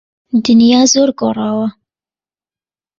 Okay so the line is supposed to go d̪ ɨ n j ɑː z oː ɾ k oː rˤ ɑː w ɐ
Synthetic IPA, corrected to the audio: d̪ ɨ n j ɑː z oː ɾ ɡ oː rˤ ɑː w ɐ